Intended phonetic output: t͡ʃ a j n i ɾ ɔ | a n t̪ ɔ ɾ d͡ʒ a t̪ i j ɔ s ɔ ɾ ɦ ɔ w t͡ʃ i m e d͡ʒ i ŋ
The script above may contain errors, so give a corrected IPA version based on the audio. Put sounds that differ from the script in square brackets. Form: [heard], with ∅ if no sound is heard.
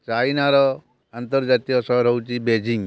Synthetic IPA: t͡ʃ a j n [a] ɾ ɔ | a n t̪ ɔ ɾ d͡ʒ a t̪ i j ɔ s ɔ ɾ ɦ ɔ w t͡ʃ i [b] e d͡ʒ i ŋ